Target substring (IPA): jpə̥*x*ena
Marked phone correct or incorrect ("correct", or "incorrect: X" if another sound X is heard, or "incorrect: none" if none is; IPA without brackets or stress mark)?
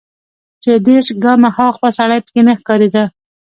incorrect: k